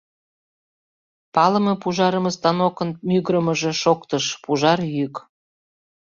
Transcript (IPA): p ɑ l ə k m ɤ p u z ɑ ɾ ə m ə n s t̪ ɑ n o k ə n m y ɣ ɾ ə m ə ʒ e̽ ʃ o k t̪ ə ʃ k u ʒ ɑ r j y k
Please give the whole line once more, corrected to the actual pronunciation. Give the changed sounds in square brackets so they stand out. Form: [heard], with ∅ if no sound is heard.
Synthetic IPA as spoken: p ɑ l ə [∅] m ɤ p u [ʒ] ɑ ɾ ə m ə [∅] s t̪ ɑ n o k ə n m y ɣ ɾ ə m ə ʒ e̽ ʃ o k t̪ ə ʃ [p] u ʒ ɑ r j y k